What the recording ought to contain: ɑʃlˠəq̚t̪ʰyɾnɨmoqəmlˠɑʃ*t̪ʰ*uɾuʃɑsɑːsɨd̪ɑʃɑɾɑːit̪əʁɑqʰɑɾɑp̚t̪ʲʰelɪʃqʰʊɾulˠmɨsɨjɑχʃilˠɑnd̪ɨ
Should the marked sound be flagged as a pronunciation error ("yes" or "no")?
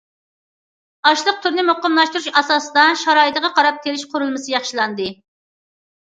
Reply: yes